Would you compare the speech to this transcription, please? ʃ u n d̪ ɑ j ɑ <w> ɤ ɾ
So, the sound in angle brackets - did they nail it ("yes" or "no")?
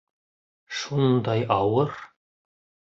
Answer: yes